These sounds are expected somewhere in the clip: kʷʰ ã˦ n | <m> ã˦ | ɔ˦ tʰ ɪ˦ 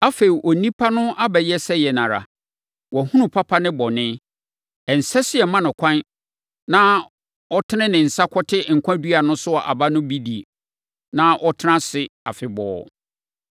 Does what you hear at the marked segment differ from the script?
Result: yes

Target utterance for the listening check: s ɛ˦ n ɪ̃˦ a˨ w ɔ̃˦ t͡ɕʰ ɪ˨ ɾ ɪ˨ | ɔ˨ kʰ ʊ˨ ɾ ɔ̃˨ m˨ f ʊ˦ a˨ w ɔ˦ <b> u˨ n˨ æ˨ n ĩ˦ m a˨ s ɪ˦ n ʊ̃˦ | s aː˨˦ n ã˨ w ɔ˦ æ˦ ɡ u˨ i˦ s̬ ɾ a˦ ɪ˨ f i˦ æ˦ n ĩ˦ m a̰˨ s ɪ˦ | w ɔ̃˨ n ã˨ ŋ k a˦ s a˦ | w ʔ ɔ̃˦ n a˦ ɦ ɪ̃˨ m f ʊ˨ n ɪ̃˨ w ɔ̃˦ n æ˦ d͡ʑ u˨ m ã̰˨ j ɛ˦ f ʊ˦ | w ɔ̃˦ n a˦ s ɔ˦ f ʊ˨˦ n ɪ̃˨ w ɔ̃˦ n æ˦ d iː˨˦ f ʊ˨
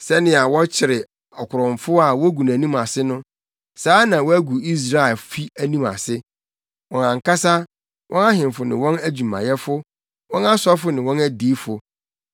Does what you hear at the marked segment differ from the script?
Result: yes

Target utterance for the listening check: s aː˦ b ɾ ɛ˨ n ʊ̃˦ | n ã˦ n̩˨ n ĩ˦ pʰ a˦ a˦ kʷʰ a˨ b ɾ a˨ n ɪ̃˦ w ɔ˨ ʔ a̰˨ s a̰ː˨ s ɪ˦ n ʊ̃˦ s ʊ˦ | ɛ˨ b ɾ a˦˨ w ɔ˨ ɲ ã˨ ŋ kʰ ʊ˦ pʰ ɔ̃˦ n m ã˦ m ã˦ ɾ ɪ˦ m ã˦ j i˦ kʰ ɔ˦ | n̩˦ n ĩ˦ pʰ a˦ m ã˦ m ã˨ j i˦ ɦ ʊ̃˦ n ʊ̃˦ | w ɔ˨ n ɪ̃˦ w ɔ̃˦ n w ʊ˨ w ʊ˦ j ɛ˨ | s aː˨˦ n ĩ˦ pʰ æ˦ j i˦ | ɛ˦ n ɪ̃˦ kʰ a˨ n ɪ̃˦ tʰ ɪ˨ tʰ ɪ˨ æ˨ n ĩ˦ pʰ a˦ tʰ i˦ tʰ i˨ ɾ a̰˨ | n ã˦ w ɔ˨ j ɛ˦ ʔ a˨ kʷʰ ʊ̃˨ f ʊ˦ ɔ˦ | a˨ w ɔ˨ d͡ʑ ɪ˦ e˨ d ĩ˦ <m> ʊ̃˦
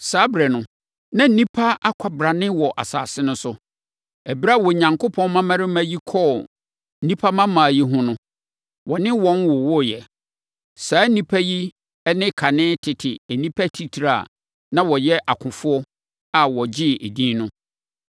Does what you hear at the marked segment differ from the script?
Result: yes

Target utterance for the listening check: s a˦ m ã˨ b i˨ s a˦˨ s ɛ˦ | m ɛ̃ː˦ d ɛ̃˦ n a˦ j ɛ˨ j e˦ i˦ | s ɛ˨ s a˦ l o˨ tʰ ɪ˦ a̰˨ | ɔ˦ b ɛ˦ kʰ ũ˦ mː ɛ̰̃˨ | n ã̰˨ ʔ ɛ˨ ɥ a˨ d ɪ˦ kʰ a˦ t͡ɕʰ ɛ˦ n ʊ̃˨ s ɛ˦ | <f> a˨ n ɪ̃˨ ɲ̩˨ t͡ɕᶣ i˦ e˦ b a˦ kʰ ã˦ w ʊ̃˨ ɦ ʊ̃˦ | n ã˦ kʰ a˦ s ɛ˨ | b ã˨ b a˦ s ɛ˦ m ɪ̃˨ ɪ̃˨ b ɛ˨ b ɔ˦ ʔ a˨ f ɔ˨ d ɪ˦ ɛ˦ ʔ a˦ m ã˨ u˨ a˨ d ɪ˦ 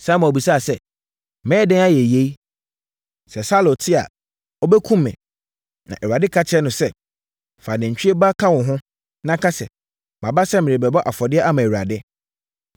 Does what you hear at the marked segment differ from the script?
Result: no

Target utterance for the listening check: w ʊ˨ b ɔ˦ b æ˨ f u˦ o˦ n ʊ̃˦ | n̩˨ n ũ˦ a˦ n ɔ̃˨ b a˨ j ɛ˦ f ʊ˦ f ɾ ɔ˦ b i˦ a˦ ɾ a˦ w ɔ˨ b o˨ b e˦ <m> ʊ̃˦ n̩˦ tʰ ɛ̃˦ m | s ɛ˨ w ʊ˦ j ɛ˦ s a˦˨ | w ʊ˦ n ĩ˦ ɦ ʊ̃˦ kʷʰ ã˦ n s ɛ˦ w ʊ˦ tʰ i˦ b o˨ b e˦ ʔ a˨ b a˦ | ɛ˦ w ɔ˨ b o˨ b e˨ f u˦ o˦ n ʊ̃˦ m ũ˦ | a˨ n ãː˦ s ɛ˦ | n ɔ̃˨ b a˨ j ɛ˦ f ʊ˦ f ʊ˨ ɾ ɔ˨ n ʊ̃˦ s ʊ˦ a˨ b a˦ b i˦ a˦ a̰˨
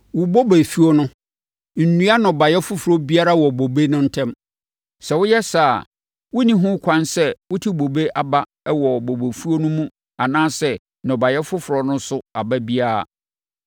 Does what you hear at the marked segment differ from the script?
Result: yes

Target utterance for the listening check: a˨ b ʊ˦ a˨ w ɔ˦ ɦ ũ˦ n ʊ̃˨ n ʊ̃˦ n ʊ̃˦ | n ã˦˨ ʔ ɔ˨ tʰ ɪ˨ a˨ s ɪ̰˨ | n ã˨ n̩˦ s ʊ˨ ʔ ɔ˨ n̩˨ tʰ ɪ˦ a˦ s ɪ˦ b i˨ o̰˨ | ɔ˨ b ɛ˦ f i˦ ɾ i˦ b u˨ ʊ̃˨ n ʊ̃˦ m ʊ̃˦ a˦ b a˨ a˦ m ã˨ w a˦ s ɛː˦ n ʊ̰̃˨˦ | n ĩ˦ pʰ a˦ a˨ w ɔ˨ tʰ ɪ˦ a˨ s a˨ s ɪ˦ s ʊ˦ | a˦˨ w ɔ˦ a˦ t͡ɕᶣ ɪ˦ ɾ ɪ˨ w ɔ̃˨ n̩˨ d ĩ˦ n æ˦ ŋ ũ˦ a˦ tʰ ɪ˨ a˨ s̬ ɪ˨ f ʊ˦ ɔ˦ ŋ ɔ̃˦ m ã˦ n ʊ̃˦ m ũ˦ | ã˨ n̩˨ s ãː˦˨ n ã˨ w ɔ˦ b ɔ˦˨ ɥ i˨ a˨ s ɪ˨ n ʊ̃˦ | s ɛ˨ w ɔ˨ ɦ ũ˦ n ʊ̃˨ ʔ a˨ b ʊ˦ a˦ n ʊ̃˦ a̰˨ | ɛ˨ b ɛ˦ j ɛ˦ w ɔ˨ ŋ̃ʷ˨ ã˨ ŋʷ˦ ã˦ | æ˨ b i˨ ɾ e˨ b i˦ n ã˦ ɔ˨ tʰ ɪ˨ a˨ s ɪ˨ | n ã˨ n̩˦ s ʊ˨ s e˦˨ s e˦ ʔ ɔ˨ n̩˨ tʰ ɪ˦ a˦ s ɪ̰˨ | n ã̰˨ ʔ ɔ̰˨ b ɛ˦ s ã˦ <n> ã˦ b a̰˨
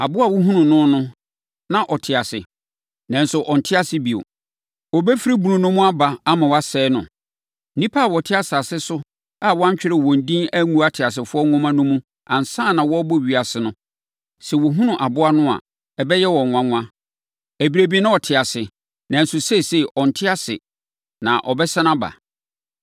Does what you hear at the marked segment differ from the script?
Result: no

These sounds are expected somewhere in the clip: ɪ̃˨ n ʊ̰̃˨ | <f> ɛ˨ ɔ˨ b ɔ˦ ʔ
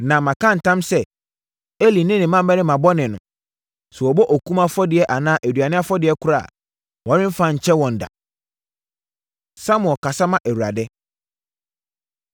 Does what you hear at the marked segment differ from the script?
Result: yes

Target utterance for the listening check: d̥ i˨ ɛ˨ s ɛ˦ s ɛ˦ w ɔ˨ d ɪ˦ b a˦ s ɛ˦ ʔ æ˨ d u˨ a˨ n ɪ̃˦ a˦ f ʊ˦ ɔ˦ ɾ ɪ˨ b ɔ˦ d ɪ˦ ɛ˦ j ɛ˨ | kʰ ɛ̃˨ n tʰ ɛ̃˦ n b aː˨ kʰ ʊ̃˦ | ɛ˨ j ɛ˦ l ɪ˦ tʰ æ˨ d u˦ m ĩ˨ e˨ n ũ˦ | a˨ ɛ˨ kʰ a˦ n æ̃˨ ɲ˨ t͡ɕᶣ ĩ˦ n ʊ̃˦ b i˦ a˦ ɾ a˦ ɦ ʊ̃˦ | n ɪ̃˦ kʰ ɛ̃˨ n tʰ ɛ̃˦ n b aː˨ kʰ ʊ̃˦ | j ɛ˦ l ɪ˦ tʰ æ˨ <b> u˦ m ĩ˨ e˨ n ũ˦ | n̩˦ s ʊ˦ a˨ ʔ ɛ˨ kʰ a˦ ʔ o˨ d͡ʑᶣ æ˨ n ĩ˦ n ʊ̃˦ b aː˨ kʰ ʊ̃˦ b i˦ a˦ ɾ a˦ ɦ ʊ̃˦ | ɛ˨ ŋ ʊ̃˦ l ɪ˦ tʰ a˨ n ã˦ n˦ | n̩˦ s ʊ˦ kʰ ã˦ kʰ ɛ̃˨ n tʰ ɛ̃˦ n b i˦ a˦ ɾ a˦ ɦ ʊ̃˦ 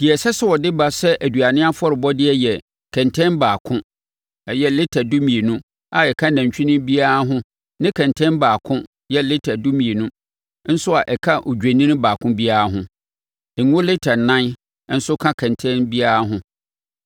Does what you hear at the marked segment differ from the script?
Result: yes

